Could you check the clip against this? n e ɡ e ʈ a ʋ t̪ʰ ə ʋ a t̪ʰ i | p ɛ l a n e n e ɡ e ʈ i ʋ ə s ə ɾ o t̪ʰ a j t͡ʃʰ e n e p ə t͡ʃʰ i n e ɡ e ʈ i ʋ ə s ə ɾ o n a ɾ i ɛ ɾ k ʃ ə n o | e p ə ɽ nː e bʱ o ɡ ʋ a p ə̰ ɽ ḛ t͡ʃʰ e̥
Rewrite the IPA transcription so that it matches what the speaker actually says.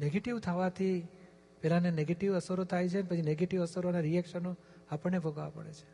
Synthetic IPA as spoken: n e ɡ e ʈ i ʋ t̪ʰ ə ʋ a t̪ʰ i | p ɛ l a n e n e ɡ e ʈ i ʋ ə s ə ɾ o t̪ʰ a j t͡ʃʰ e n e p ə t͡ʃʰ i n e ɡ e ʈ i ʋ ə s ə ɾ o n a ɾ i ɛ k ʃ ə n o | a p ə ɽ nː e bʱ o ɡ ʋ a p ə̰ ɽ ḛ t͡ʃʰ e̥